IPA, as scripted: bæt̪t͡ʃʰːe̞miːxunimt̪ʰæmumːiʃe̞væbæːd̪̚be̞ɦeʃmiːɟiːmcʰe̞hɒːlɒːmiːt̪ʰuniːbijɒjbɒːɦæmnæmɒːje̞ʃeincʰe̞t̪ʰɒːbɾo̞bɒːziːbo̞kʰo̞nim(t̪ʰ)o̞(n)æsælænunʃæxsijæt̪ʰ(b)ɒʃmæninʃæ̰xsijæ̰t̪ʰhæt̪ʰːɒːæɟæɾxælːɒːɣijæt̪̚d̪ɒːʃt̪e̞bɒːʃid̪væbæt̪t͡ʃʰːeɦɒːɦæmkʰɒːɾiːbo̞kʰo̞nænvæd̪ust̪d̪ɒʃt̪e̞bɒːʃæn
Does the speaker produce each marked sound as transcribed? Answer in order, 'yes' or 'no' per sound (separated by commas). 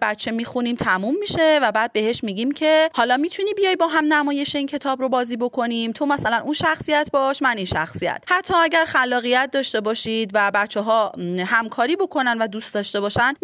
yes, no, yes